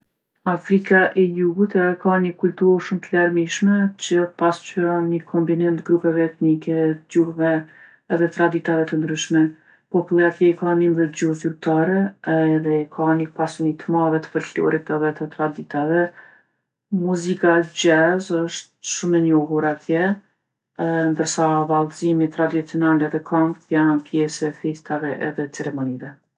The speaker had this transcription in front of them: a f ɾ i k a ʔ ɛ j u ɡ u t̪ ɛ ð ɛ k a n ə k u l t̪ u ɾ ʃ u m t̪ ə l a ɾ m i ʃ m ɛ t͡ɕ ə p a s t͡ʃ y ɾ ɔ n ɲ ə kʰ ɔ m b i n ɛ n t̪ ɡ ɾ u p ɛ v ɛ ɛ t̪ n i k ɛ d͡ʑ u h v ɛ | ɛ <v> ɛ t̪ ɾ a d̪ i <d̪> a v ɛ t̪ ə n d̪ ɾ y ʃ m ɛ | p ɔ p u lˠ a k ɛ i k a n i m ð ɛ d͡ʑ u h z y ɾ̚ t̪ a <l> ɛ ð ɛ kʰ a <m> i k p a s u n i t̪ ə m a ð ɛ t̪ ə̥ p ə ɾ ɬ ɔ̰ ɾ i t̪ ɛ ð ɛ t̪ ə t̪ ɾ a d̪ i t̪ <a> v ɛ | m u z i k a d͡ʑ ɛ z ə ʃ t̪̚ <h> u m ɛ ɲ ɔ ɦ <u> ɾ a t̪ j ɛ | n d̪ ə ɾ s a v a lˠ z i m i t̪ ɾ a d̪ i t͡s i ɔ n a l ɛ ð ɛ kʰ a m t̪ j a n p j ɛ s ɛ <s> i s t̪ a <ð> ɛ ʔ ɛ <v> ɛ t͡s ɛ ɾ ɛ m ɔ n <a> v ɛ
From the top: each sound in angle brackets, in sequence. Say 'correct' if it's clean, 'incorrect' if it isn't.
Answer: incorrect: ð, incorrect: t̪, incorrect: ɾ, incorrect: n, correct, incorrect: ʃ, correct, incorrect: f, incorrect: v, incorrect: ð, incorrect: i

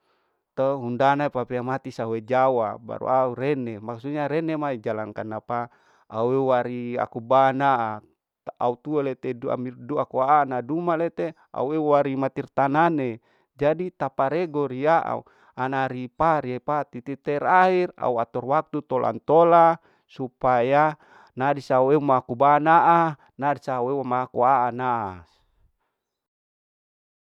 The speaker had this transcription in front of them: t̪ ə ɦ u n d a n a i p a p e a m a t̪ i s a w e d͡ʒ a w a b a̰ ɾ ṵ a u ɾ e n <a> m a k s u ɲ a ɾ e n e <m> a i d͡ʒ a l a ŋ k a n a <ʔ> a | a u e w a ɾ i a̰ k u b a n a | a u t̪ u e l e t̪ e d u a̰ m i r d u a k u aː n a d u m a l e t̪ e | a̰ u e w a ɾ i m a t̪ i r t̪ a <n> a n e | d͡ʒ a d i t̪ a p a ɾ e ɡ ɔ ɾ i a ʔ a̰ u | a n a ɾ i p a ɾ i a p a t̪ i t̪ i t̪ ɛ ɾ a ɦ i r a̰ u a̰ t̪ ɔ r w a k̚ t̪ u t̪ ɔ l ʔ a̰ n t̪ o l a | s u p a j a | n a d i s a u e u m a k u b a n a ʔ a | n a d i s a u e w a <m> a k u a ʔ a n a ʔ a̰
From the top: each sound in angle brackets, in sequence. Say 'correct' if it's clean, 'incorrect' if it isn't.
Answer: incorrect: e, correct, incorrect: p, correct, correct

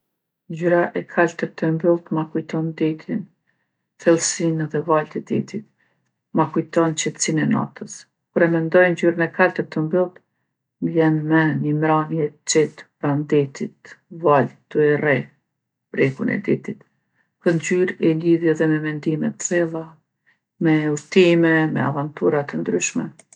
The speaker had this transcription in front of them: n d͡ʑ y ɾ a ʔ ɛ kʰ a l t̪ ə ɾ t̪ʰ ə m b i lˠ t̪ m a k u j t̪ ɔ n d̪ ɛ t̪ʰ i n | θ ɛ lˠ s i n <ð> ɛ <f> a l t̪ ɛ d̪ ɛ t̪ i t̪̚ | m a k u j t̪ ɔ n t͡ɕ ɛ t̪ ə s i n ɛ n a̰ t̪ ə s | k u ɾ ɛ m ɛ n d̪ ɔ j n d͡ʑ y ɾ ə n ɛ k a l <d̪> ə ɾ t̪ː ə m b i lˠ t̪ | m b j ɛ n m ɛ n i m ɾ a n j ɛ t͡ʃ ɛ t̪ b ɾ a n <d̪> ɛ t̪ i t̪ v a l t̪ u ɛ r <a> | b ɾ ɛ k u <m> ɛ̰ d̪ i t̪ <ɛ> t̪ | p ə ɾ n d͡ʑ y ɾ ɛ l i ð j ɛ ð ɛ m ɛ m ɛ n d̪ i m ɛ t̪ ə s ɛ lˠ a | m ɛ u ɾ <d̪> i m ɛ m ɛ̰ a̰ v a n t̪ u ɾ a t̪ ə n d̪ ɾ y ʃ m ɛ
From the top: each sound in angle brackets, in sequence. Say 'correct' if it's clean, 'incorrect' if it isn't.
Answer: correct, incorrect: v, incorrect: t̪, correct, incorrect: ɛ, incorrect: n, incorrect: i, incorrect: t̪

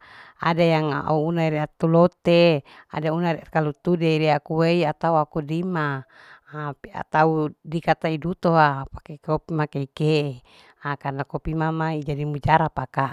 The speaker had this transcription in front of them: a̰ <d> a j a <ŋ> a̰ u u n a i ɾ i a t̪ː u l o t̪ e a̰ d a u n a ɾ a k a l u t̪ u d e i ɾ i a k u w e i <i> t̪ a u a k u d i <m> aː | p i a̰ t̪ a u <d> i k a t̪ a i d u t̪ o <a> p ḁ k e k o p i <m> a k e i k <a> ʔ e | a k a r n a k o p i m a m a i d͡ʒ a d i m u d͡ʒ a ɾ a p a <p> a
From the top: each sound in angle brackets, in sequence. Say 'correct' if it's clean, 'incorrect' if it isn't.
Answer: correct, correct, incorrect: a, correct, correct, correct, correct, incorrect: e, incorrect: k

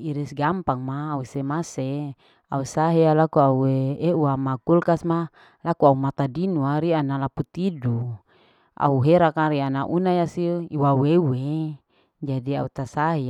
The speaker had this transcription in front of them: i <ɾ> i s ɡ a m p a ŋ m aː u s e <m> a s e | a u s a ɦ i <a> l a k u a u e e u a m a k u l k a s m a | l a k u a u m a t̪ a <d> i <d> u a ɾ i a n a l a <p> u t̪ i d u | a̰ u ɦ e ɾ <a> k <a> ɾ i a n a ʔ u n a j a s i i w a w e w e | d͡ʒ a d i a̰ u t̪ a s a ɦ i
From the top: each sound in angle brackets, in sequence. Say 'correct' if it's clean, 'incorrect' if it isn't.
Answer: correct, correct, correct, correct, incorrect: n, correct, correct, correct

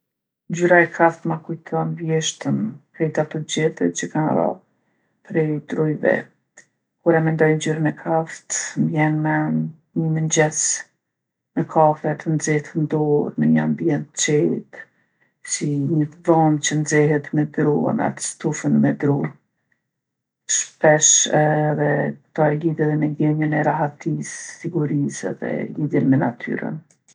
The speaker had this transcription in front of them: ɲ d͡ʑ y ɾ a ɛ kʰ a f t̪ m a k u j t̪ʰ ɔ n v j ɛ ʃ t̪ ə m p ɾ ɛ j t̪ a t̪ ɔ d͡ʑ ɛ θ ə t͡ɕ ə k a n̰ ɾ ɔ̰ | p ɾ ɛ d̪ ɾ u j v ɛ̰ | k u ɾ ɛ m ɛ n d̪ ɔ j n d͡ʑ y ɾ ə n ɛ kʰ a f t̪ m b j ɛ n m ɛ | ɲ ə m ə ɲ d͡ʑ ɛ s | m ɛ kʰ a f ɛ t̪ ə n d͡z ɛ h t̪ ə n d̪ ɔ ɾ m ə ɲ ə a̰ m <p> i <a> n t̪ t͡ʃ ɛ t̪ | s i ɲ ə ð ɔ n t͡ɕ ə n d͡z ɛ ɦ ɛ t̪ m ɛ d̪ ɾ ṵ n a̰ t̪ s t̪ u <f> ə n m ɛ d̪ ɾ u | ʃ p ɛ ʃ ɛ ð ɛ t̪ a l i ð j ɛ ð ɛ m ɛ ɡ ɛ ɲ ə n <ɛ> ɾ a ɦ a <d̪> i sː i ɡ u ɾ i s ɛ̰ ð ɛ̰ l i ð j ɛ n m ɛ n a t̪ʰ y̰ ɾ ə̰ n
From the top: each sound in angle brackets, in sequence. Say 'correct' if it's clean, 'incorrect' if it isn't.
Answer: incorrect: b, incorrect: ɛ, correct, correct, incorrect: t̪

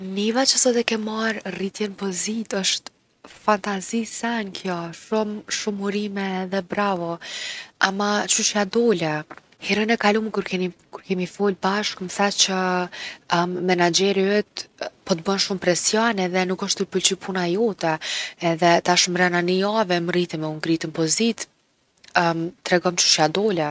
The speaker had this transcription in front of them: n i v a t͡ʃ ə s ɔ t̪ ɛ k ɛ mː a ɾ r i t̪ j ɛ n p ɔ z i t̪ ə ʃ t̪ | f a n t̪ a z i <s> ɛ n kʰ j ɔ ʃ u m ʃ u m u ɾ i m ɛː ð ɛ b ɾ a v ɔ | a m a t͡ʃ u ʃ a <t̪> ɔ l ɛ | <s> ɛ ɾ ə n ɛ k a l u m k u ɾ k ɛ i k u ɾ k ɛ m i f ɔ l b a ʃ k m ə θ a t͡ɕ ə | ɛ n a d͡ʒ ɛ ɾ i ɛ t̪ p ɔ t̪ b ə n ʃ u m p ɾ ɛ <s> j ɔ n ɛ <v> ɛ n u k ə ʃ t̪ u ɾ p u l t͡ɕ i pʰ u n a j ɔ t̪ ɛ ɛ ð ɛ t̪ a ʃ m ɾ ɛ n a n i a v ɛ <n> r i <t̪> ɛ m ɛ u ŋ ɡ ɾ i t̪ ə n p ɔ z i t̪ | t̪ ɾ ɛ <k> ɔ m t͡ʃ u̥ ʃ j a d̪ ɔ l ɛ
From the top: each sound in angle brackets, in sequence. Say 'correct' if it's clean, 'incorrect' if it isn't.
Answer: correct, incorrect: d̪, incorrect: h, correct, incorrect: ð, incorrect: m, correct, incorrect: ɡ

